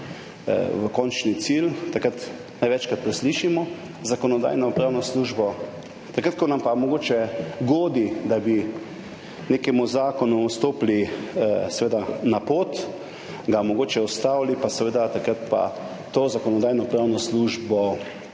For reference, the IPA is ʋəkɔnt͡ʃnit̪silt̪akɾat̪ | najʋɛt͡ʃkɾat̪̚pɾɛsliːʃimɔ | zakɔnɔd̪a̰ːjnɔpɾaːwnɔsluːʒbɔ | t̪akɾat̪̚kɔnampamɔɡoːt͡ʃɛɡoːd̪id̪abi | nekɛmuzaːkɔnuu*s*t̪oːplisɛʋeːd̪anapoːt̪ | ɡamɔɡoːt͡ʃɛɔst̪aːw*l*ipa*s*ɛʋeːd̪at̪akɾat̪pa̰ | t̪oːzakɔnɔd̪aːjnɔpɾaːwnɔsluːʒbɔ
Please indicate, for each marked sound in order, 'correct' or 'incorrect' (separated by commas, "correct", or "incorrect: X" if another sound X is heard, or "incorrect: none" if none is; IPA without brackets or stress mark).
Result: correct, correct, correct